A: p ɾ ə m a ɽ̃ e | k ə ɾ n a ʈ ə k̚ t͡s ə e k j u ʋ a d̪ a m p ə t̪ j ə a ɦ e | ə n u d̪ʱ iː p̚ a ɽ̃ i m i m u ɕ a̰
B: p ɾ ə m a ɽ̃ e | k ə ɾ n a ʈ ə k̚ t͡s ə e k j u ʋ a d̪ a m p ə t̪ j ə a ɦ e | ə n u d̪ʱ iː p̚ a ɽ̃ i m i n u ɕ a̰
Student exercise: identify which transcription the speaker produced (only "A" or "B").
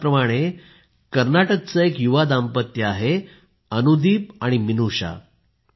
B